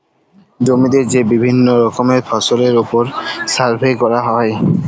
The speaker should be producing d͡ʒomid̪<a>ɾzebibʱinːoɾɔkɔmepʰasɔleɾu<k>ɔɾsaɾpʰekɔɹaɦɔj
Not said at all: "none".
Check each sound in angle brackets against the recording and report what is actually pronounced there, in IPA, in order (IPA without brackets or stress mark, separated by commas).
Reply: e, p